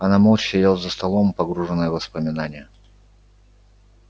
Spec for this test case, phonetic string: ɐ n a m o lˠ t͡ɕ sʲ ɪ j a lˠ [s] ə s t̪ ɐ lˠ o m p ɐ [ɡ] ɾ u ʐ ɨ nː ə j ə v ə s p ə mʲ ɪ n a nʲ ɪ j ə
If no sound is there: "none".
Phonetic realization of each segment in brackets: z, ɡ

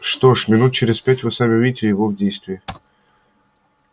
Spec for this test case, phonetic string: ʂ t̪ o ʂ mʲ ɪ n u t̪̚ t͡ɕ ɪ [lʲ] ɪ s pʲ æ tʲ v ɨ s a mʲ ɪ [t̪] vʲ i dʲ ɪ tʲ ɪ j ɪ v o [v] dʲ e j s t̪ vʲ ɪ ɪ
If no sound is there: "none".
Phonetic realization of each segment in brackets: ɾʲ, none, v

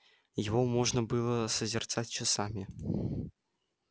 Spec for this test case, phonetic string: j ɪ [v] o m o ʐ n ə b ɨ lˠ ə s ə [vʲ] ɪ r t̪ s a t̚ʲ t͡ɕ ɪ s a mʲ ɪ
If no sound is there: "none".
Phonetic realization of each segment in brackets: v, zʲ

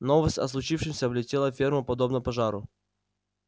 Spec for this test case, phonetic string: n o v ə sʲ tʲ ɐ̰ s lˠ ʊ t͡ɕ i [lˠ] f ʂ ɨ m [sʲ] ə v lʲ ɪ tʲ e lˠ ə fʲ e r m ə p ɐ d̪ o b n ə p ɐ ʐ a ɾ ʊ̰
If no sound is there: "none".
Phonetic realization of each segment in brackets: none, sʲ

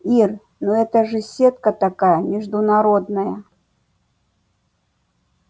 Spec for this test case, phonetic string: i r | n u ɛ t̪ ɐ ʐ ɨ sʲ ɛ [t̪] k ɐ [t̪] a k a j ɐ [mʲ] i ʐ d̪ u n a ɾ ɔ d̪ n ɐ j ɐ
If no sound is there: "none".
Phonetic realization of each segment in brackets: t̪, t̪, mʲ

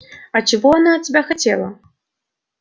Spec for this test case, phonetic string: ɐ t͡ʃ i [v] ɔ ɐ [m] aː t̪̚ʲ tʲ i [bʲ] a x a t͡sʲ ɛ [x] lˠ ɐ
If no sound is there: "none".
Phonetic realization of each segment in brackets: v, n, bʲ, none

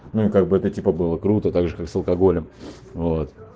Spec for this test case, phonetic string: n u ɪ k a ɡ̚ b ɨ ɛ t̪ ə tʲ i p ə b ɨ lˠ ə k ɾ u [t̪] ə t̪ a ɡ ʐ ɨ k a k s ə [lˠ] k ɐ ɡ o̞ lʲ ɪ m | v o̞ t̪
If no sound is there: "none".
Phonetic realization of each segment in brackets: t̪, lˠ

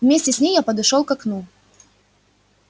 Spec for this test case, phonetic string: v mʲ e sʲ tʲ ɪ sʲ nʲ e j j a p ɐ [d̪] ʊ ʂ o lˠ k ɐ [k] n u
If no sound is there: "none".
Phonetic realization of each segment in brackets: d̪, k

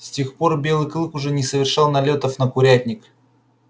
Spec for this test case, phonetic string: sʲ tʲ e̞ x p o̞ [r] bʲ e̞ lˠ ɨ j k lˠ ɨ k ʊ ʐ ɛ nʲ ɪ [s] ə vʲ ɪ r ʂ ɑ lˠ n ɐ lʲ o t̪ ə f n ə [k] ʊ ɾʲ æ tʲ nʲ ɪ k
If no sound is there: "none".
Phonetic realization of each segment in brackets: r, s, k

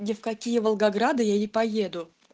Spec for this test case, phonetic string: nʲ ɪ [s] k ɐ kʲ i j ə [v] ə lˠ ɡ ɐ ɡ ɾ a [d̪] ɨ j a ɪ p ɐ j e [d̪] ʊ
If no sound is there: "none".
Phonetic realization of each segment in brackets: f, v, d̪, d̪

